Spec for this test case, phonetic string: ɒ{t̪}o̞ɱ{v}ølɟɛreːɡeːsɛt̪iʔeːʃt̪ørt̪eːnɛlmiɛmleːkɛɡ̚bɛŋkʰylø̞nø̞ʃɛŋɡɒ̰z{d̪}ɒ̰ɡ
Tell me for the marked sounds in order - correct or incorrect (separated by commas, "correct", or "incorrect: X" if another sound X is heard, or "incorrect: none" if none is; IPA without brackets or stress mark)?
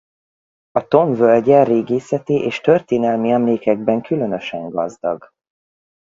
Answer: correct, correct, correct